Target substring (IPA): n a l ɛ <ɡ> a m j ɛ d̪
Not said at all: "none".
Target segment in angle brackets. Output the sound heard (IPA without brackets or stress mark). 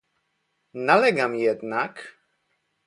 ɡ